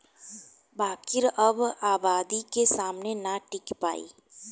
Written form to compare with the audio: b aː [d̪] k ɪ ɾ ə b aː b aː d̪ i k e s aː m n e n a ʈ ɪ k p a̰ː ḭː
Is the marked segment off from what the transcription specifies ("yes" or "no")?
yes